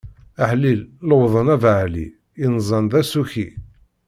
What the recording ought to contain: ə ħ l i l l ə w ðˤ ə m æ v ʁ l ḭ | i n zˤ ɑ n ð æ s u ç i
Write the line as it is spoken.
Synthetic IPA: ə ħ l i l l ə w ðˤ ə n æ v ʕ l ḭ | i n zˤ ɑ n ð æ s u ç i